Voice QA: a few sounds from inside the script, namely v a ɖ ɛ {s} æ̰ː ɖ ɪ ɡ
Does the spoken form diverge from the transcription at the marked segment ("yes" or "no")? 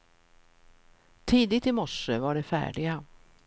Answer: yes